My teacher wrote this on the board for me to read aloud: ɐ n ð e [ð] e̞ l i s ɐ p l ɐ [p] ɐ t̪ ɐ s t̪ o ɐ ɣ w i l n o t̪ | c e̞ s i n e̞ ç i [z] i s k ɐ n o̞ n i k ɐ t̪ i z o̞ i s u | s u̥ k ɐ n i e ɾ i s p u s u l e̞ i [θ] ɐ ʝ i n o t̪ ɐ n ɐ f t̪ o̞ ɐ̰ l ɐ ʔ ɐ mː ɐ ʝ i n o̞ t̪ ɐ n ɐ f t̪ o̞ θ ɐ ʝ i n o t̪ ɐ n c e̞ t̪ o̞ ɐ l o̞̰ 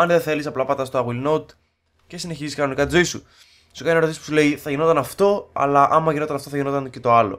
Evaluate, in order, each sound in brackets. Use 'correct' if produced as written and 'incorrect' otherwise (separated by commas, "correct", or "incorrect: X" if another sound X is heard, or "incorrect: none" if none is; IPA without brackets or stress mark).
incorrect: θ, correct, correct, correct